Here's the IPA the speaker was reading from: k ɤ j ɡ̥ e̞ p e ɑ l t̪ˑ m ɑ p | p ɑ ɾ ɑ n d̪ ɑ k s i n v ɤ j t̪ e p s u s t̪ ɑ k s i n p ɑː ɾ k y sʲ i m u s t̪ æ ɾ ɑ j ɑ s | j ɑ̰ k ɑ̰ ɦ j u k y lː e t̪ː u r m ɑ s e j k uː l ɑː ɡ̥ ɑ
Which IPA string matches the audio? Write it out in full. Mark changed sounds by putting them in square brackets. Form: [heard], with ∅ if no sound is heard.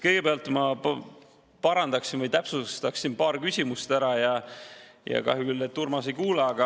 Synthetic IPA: k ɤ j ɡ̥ e̞ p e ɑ l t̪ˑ m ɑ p | p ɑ ɾ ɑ n d̪ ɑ k s i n v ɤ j t̪ [æ] p s u s t̪ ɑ k s i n p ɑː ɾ k y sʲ i m u s t̪ æ ɾ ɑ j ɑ [∅] | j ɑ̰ k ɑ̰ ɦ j u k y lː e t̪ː u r m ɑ s e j k uː l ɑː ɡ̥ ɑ